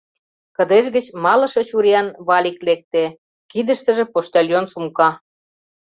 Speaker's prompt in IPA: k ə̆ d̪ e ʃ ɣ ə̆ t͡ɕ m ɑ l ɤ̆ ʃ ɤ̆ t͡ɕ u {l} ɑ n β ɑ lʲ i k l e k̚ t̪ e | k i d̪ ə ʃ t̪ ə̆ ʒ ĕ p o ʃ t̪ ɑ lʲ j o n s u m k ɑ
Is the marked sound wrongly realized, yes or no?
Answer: yes